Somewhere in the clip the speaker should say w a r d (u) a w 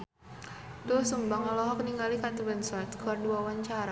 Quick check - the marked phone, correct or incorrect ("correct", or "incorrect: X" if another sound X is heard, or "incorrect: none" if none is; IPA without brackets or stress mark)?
correct